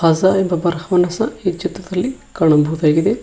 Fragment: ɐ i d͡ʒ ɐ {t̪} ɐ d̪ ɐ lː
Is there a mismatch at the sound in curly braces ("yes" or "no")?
no